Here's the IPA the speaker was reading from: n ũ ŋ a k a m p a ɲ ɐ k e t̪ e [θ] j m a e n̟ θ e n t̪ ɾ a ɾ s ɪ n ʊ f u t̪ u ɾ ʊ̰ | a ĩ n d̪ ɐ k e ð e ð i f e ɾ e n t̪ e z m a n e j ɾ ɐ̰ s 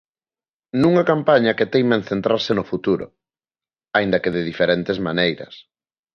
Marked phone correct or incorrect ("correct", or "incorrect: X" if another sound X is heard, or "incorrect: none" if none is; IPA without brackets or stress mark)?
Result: incorrect: none